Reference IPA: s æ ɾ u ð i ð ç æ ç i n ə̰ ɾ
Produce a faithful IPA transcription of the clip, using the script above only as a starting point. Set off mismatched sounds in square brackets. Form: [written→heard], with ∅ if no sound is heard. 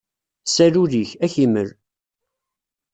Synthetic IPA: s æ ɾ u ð i [ð→∅] ç æ ç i [n→m] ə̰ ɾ

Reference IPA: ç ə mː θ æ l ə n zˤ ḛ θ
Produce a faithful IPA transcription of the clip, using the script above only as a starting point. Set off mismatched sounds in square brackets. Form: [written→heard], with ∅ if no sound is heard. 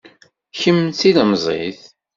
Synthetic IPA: ç ə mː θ [æ→i] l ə [n→m] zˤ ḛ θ

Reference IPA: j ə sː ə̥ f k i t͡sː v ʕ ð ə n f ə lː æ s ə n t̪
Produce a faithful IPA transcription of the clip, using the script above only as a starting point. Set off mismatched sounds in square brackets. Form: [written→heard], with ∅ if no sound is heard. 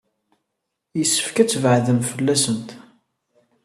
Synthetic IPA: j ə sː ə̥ f k [i→æ] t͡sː v ʕ ð ə [n→m] f ə lː æ s ə n t̪

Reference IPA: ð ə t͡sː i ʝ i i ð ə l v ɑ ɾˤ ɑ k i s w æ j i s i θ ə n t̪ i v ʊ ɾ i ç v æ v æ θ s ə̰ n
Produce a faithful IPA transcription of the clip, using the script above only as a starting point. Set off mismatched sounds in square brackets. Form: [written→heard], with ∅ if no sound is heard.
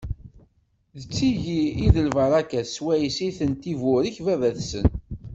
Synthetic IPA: ð ə t͡sː i ʝ i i ð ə l v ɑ ɾˤ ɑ k [i→æ] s w æ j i s i θ ə n t̪ i v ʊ ɾ i ç v æ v æ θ s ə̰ n

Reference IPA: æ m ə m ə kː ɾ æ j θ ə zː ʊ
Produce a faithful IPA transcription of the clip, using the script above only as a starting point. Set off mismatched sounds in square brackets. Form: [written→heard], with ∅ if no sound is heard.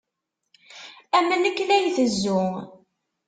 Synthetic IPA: æ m ə [m→n] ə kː [ɾ→l] æ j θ ə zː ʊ

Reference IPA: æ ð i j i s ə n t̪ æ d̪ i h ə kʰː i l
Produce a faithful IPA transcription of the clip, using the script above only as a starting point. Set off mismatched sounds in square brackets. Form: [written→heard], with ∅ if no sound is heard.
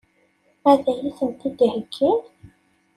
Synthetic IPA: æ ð [i→æ] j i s ə n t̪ [æ→i] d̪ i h ə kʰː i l

